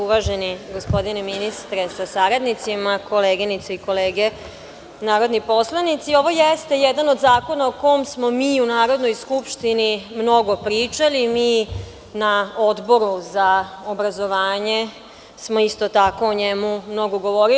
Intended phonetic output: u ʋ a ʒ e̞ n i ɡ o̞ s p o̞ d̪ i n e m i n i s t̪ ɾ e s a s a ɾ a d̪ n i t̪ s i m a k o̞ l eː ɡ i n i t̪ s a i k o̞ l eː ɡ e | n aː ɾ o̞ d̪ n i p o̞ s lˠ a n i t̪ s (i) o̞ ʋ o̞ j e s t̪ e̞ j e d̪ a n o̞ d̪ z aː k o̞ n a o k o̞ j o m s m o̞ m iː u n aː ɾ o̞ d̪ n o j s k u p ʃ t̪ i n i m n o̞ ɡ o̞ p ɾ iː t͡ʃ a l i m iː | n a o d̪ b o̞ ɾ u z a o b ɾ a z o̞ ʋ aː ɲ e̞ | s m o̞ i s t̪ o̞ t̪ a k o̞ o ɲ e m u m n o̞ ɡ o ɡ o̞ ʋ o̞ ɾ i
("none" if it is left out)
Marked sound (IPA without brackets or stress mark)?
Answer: i